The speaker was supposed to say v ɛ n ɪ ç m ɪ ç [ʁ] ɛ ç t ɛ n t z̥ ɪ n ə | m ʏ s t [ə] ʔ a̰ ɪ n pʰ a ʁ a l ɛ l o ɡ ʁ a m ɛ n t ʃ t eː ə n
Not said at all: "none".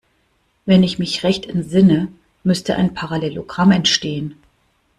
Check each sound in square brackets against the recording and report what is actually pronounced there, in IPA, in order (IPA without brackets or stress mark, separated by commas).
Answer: ʁ, ə